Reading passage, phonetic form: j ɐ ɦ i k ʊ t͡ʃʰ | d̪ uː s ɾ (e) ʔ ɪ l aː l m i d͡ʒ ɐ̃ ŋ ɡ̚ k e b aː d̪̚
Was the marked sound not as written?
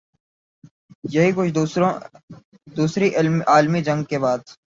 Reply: yes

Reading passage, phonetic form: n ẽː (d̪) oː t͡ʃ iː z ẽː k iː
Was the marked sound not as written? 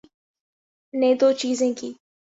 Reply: no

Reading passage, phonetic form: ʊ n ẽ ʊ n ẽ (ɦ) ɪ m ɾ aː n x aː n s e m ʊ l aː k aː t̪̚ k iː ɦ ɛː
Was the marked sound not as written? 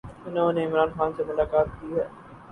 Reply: yes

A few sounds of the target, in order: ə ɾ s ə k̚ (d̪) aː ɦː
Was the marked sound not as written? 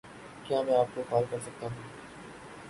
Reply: yes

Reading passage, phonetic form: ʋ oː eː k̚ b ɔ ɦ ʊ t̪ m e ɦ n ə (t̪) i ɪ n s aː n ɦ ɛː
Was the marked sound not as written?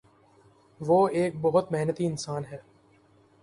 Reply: no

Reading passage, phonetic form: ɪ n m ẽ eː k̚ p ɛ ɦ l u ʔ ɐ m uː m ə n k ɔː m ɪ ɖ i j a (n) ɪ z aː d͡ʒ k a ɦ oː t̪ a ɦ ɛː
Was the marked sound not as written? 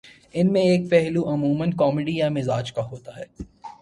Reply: yes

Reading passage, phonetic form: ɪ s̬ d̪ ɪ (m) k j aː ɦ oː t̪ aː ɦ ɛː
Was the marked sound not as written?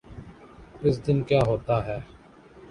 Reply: yes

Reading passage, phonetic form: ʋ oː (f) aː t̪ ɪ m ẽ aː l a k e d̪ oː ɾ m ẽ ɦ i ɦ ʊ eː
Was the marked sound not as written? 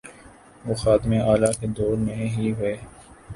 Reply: yes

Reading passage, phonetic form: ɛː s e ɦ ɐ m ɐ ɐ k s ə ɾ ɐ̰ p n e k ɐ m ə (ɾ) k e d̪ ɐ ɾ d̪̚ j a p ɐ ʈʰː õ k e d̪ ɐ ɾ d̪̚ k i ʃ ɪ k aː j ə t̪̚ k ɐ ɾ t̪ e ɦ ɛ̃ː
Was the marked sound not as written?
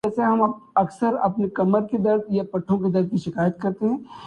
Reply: no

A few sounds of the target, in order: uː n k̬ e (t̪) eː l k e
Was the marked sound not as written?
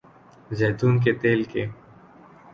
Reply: no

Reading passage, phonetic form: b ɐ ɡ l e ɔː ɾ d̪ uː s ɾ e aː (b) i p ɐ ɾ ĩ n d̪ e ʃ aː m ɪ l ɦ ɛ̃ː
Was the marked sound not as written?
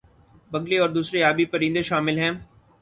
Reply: no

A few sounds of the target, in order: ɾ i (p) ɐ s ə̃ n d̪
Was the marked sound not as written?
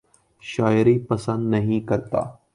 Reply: no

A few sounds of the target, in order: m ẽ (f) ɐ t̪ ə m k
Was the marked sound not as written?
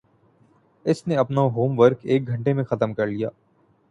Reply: yes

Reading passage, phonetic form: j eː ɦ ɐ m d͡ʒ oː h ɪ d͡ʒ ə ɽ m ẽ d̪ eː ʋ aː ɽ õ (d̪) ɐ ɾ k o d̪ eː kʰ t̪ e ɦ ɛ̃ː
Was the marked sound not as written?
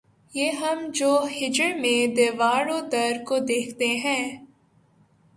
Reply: no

